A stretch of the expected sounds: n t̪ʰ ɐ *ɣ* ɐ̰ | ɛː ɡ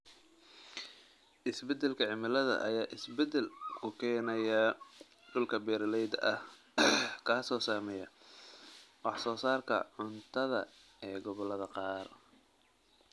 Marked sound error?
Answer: yes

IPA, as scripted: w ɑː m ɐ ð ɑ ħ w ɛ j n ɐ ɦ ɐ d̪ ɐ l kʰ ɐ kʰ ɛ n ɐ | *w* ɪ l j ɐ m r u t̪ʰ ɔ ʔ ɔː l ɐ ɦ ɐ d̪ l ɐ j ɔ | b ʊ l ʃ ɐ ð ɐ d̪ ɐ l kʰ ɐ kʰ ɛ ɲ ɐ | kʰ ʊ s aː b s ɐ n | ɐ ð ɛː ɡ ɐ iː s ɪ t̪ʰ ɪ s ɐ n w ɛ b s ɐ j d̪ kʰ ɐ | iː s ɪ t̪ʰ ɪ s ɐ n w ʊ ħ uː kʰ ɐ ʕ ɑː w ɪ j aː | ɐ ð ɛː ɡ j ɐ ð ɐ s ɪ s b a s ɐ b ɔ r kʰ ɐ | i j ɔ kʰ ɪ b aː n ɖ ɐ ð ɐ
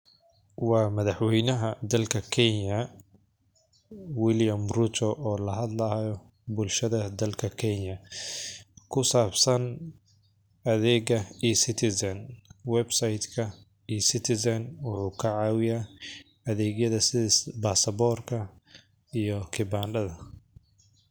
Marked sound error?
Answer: no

